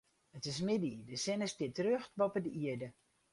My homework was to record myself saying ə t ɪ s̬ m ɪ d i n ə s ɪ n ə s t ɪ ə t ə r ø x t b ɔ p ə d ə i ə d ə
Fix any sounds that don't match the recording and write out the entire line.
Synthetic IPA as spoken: ə t ɪ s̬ m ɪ d i d ə s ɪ n ə s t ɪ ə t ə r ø x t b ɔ p ə d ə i ə d ə